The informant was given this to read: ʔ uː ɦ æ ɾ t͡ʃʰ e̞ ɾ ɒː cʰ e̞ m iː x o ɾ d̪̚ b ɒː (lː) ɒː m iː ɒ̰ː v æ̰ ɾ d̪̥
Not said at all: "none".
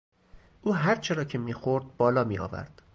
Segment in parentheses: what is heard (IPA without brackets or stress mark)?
l